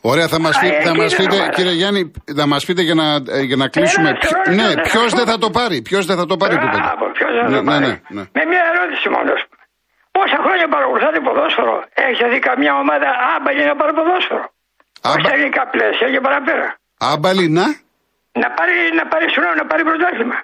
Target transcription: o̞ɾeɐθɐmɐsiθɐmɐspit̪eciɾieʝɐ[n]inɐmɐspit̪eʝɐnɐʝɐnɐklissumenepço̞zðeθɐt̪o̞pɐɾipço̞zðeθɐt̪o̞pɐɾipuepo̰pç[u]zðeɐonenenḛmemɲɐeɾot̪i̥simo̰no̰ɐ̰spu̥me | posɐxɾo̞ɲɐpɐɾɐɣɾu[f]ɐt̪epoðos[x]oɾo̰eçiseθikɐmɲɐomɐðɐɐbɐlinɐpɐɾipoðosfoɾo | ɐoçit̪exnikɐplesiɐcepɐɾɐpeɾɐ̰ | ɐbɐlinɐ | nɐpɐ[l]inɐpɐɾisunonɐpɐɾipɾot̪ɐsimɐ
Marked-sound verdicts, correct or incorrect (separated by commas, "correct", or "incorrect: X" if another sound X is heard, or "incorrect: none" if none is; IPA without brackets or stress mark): correct, incorrect: o, incorrect: θ, incorrect: f, incorrect: ɾ